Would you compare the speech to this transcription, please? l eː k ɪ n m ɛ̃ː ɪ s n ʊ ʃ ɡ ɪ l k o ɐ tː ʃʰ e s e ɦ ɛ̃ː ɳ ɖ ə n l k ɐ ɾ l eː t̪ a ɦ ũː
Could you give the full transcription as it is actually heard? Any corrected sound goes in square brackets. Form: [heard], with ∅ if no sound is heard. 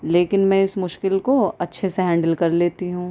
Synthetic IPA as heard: l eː k ɪ n m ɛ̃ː ɪ s [m] ʊ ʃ [k] ɪ l k o ɐ tː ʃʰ e s e ɦ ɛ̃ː ɳ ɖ ə [∅] l k ɐ ɾ l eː t̪ [i] ɦ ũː